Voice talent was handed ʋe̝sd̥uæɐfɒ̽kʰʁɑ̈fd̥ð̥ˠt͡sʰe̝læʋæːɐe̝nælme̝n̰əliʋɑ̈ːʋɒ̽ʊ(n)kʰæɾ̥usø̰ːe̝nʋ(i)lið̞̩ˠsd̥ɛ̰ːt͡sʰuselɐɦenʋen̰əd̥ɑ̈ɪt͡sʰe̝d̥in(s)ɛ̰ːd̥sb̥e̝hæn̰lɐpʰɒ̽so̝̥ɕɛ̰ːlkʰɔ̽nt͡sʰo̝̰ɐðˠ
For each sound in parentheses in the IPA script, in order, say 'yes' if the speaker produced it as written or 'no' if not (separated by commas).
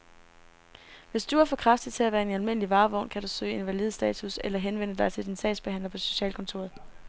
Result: yes, no, yes